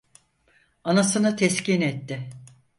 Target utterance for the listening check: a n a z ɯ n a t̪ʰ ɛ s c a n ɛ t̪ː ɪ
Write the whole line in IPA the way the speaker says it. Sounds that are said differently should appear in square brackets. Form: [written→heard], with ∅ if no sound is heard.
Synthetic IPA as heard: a n a [z→s] ɯ n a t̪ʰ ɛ s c [a→i] n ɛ t̪ː ɪ